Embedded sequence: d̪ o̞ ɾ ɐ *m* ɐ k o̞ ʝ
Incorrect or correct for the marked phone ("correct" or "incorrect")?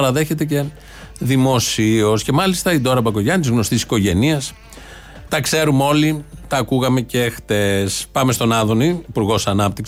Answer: incorrect